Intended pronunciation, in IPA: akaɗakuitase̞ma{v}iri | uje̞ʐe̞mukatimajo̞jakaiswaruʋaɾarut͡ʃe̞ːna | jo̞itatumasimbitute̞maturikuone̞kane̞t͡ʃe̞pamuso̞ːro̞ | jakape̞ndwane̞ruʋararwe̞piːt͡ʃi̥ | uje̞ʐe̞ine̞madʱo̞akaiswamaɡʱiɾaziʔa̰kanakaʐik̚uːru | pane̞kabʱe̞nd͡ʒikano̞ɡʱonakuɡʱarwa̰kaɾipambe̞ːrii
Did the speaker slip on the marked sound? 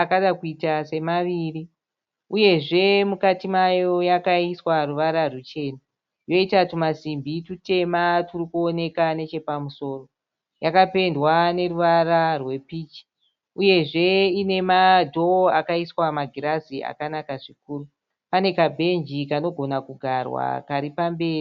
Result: yes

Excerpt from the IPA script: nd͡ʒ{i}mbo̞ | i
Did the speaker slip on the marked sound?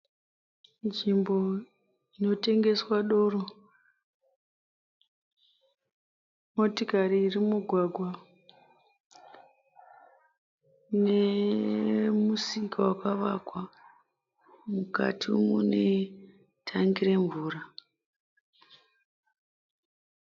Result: no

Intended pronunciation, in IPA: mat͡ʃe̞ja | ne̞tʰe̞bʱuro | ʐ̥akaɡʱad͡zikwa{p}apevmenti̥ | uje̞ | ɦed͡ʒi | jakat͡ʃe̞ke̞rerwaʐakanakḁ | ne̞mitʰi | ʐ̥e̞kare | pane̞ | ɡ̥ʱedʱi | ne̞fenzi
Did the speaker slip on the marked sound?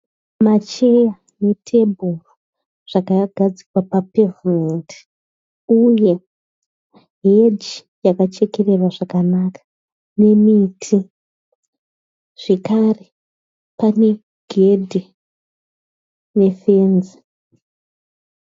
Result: no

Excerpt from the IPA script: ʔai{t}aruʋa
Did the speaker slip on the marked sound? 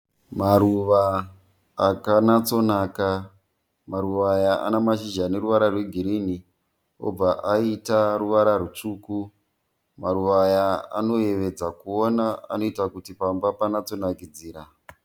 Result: no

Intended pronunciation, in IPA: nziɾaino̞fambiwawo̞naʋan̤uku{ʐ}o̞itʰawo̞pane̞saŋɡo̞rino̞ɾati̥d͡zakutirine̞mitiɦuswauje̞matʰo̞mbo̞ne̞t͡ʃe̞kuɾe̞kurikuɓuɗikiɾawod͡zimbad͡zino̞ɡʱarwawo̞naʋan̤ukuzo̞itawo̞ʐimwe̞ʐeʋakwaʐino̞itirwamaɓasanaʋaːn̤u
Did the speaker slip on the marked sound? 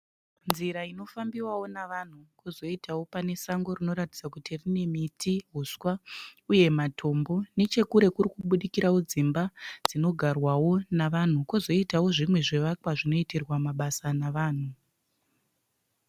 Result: yes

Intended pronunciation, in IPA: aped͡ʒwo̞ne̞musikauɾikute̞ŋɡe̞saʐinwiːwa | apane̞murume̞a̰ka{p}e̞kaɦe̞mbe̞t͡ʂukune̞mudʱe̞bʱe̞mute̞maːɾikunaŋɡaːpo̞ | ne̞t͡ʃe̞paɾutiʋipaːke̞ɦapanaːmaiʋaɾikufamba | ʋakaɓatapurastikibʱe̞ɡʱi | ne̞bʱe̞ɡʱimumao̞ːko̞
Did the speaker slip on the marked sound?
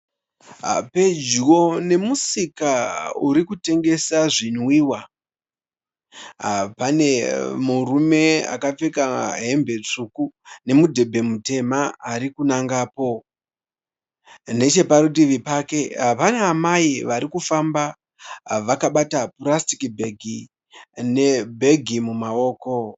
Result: yes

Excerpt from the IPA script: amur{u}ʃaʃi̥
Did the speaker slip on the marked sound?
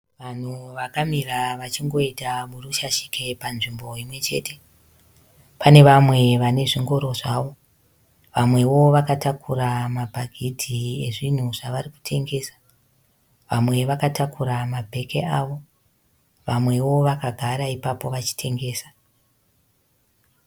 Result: no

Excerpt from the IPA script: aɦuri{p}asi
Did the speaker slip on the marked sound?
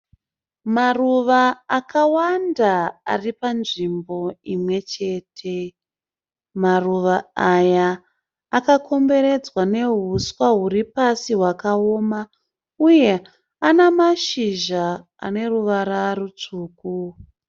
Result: no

